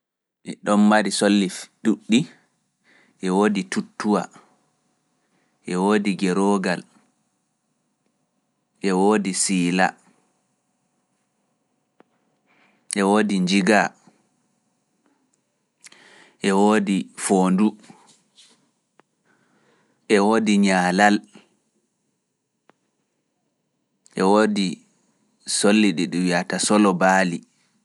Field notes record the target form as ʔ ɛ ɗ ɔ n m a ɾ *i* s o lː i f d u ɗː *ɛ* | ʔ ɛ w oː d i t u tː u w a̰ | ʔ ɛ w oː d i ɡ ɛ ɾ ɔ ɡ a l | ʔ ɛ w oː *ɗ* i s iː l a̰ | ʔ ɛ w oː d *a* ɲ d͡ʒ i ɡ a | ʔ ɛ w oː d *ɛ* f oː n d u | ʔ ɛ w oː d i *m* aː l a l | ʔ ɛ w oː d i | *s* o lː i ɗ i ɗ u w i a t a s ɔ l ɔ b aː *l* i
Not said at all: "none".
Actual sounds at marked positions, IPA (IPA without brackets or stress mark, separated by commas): i, i, d, i, i, ɲ, s, l